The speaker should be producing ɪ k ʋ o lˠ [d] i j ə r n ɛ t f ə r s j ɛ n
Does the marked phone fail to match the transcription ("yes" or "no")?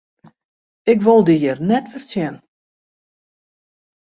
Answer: no